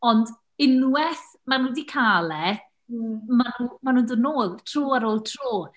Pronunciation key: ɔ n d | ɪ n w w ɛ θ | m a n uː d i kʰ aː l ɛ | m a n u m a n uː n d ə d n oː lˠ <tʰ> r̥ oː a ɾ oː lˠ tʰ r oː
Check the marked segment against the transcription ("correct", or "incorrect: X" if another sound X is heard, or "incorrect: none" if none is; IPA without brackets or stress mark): correct